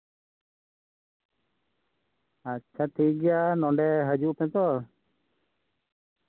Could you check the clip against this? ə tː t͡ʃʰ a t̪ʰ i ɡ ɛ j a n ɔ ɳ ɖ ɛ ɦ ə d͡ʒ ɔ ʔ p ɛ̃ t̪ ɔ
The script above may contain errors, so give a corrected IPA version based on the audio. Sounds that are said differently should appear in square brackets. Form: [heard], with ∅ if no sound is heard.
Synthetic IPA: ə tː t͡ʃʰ a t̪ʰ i ɡ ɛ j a n ɔ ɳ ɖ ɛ ɦ ə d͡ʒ [u] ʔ p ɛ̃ t̪ ɔ